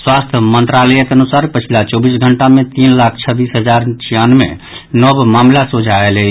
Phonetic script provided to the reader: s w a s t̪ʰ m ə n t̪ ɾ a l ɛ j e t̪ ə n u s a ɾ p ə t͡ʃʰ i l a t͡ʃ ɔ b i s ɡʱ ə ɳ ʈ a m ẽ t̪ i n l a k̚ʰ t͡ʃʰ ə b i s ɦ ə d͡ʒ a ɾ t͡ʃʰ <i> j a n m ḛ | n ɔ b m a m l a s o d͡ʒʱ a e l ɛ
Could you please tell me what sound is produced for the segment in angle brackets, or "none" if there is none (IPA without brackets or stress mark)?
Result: i